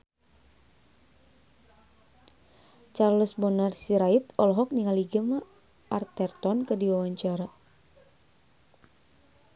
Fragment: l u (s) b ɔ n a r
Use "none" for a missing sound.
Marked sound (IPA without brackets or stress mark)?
s